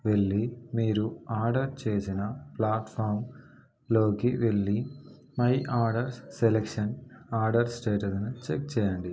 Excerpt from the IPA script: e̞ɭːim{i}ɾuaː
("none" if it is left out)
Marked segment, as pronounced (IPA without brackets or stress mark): iː